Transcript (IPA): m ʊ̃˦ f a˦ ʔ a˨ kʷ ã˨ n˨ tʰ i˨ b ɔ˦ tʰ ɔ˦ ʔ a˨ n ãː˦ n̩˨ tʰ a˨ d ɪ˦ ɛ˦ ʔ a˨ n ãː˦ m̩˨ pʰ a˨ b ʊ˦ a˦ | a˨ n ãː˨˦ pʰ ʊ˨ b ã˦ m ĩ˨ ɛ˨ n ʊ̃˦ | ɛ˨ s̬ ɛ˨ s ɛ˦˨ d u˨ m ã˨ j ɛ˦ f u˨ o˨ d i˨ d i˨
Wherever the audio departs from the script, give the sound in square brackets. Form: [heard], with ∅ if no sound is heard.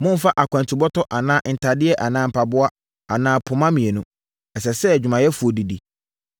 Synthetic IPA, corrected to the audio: m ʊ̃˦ f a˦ ʔ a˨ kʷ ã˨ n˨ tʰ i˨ b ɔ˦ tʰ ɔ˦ ʔ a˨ n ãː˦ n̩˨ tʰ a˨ d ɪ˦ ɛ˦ ʔ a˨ n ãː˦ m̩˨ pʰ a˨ b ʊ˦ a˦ | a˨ n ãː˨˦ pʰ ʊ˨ [m] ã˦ m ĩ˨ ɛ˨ n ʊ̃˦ | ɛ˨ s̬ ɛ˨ s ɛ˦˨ [d͡ʑᶣ] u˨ m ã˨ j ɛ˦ f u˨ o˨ d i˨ d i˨